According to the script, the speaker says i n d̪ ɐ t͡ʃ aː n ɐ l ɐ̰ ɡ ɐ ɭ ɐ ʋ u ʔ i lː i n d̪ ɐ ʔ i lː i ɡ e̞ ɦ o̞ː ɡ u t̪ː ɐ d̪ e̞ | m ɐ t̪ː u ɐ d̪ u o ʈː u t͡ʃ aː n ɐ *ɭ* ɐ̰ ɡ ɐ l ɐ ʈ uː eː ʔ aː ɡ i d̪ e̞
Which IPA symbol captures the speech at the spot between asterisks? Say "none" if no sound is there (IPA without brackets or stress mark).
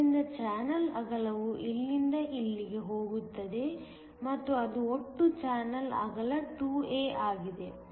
l